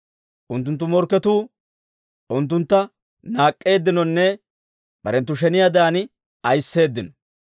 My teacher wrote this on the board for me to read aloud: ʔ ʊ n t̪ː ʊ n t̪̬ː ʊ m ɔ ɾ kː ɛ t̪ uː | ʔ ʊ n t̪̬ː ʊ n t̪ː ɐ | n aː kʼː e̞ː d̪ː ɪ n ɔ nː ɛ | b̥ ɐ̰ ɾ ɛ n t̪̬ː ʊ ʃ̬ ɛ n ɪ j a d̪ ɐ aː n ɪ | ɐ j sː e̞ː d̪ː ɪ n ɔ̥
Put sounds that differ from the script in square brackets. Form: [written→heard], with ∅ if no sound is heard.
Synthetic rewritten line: ʔ ʊ n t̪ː ʊ n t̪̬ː ʊ m ɔ ɾ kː ɛ t̪ uː | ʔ ʊ n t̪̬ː ʊ n t̪ː ɐ | n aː kʼː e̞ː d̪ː ɪ n ɔ nː ɛ | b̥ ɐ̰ ɾ ɛ n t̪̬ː ʊ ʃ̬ ɛ n ɪ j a d̪ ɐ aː n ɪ | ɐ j sː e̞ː d̪ː ɪ n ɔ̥

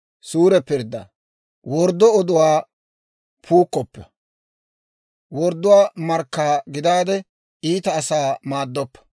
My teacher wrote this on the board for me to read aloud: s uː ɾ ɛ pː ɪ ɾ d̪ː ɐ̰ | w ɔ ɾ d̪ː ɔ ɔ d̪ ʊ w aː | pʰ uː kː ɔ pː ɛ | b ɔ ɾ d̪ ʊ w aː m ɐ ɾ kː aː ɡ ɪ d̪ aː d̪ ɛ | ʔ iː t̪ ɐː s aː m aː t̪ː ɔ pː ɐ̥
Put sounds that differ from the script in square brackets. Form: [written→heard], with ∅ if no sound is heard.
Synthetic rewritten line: s uː ɾ ɛ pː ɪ ɾ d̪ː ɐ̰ | w ɔ ɾ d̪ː ɔ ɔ d̪ ʊ w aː | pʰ uː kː ɔ pː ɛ | [b→w] ɔ ɾ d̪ ʊ w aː m ɐ ɾ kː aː ɡ ɪ d̪ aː d̪ ɛ | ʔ iː t̪ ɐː s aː m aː [t̪ː→d̪ː] ɔ pː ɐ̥

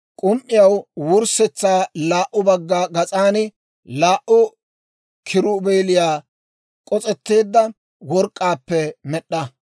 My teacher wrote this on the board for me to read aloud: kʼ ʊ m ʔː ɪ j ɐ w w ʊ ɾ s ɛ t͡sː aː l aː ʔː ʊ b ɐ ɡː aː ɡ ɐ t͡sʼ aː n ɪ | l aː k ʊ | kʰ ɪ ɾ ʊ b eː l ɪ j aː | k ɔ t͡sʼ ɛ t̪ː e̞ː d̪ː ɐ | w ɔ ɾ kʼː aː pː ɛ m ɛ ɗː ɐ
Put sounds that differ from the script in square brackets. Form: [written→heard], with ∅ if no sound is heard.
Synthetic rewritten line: kʼ ʊ m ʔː ɪ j ɐ w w ʊ ɾ s ɛ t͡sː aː l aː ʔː ʊ b ɐ ɡː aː ɡ ɐ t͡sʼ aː n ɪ | l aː [k→ʔ] ʊ | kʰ ɪ ɾ ʊ b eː l ɪ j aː | [k→kʼ] ɔ t͡sʼ ɛ t̪ː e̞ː d̪ː ɐ | w ɔ ɾ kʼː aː pː ɛ m ɛ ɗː ɐ

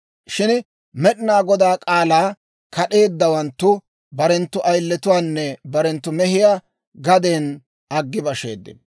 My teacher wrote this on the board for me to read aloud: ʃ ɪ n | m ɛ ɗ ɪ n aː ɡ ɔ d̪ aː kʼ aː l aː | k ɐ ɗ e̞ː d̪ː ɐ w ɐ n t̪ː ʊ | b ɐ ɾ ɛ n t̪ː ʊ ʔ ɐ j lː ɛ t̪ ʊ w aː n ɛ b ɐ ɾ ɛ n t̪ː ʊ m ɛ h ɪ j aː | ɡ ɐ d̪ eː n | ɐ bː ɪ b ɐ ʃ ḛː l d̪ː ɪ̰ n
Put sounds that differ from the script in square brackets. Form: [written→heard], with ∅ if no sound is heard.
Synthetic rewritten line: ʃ ɪ n | m ɛ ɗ ɪ n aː ɡ ɔ d̪ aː kʼ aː l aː | k ɐ ɗ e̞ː d̪ː ɐ w ɐ n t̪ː ʊ | b ɐ ɾ ɛ n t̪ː ʊ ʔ ɐ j lː ɛ t̪ ʊ w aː [n→nː] ɛ b ɐ ɾ ɛ n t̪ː ʊ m ɛ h ɪ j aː | ɡ ɐ d̪ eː n | ɐ [bː→ɡː] ɪ b ɐ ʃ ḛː [l→∅] d̪ː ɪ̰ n

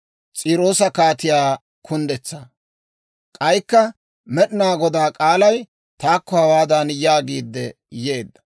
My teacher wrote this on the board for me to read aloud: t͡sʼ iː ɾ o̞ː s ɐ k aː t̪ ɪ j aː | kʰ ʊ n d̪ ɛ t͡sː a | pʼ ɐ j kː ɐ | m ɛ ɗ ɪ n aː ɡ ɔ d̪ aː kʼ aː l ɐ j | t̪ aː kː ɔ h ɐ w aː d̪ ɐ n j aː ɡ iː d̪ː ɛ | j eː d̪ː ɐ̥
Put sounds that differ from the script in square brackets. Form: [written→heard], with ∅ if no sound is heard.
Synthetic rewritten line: t͡sʼ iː ɾ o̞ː s ɐ k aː t̪ ɪ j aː | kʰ ʊ n d̪ ɛ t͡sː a | [pʼ→kʼ] ɐ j kː ɐ | m ɛ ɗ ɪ n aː ɡ ɔ d̪ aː kʼ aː l ɐ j | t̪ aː kː ɔ h ɐ w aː d̪ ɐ n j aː ɡ iː d̪ː ɛ | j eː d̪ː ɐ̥

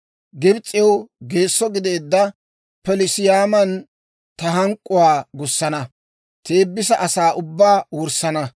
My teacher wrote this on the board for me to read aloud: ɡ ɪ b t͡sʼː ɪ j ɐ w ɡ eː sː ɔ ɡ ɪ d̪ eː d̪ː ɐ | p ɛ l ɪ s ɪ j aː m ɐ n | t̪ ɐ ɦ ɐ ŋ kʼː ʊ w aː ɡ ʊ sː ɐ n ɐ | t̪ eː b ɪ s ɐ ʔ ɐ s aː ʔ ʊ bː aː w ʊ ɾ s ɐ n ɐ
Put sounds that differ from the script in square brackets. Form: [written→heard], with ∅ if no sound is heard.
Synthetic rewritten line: ɡ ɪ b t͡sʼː ɪ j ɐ w ɡ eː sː ɔ ɡ ɪ d̪ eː d̪ː ɐ | p ɛ l ɪ s ɪ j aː m ɐ n | t̪ ɐ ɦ ɐ ŋ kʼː ʊ w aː ɡ ʊ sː ɐ n ɐ | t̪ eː [b→bː] ɪ s ɐ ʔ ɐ s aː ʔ ʊ bː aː w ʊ ɾ s ɐ n ɐ

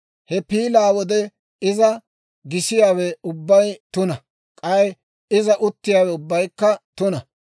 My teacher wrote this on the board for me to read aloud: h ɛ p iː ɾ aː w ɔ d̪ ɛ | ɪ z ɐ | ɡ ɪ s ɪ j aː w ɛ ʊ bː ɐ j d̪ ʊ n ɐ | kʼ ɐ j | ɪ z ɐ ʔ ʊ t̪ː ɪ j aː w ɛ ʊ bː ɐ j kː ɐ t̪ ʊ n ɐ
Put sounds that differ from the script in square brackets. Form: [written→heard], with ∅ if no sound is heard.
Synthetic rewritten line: h ɛ p iː [ɾ→l] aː w ɔ d̪ ɛ | ɪ z ɐ | ɡ ɪ s ɪ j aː w ɛ ʊ bː ɐ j [d̪→t̪] ʊ n ɐ | kʼ ɐ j | ɪ z ɐ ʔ ʊ t̪ː ɪ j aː w ɛ ʊ bː ɐ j kː ɐ t̪ ʊ n ɐ

